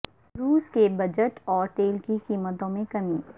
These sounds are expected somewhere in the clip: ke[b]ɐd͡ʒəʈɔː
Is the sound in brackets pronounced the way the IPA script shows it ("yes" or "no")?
yes